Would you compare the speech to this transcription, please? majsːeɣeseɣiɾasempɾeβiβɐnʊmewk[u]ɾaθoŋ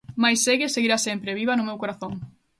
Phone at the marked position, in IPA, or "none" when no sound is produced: o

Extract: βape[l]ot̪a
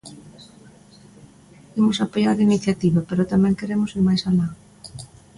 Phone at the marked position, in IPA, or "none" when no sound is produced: ɾ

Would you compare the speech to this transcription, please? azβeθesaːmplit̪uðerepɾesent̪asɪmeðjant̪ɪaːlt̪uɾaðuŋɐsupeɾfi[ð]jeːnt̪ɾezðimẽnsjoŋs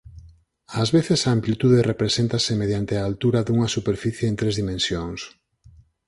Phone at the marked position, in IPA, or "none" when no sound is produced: θ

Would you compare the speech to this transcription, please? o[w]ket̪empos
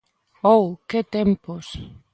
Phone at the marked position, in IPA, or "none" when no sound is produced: w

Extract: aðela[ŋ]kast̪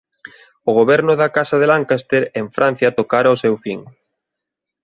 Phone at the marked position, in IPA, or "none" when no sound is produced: ŋ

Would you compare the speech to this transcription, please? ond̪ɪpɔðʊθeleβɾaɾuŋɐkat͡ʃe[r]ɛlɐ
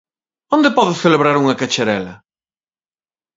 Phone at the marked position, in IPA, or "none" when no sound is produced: ɾ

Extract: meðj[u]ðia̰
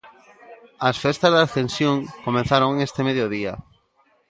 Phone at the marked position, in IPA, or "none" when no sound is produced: o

